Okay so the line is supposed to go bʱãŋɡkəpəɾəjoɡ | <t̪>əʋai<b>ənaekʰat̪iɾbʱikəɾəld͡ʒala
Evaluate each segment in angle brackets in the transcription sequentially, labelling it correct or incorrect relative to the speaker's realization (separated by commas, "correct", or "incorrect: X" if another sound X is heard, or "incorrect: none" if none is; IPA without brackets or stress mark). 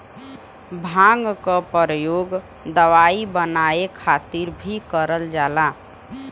incorrect: d̪, correct